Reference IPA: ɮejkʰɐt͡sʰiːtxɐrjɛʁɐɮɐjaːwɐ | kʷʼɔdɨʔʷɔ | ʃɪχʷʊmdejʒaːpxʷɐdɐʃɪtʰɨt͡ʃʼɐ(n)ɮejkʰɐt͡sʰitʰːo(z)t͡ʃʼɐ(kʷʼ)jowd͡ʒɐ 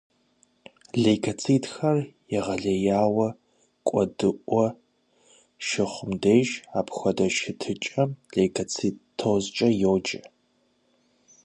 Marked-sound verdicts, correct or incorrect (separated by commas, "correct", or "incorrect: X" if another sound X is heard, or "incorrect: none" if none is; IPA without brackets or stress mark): incorrect: m, correct, incorrect: none